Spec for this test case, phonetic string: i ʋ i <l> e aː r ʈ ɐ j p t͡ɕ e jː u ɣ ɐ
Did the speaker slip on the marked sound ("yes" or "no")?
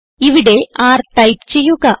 yes